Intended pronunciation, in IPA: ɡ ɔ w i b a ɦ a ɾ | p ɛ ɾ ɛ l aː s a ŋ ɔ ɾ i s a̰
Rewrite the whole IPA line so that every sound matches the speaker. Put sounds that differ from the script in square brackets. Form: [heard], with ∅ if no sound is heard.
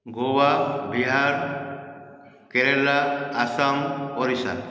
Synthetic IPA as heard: ɡ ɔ w [a] b [i] ɦ a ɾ | [k] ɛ ɾ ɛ l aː s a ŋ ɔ ɾ i s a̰